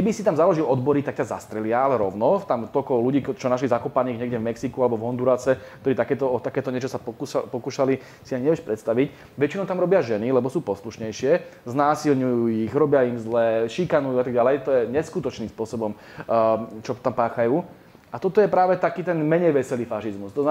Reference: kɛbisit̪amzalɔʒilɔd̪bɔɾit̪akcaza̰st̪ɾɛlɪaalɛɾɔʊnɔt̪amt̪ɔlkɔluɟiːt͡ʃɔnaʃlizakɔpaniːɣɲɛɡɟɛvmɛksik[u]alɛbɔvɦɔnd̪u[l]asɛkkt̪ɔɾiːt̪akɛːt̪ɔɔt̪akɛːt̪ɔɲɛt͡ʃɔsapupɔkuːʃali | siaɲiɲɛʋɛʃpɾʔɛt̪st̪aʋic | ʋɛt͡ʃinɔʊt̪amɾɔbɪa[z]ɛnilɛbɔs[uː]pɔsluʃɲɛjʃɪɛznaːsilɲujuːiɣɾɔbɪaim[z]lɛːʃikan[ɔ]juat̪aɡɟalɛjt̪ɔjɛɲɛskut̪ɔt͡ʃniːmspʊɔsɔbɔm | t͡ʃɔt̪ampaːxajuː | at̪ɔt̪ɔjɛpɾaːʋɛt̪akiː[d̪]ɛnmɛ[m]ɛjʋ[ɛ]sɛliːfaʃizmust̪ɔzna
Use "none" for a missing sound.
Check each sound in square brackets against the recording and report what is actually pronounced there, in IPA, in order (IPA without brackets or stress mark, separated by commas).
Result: u, ɾ, ʒ, uː, z, u, t̪, ɲ, ɛ